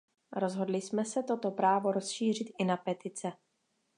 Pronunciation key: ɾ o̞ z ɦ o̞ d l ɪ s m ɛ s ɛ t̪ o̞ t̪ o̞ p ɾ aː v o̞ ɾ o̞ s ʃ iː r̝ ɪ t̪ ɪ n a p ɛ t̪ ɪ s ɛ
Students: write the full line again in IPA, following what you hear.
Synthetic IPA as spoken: ɾ o̞ z ɦ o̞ d l ɪ s m ɛ s ɛ t̪ o̞ t̪ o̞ p ɾ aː v o̞ ɾ o̞ s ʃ iː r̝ ɪ t̪ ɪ n a p ɛ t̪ ɪ t͡s ɛ